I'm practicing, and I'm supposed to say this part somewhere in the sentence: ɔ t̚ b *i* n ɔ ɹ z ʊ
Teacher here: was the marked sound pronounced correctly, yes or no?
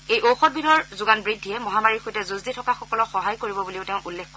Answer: yes